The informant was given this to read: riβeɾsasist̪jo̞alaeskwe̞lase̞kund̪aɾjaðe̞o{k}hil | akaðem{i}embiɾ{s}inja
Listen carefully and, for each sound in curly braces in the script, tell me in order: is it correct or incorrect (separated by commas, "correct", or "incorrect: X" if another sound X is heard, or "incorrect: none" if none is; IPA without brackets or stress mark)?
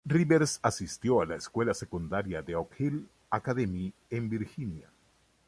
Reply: correct, correct, incorrect: x